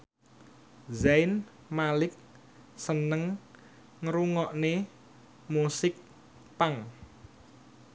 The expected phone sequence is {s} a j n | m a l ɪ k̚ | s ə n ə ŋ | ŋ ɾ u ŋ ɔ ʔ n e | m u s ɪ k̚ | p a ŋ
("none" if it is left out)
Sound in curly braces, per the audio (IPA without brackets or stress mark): z